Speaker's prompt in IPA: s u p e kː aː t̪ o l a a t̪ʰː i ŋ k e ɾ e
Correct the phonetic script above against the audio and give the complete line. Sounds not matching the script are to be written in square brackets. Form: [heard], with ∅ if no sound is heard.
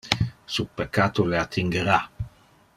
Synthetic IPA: s u p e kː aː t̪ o l [e] a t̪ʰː i ŋ [ɡ] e ɾ [a]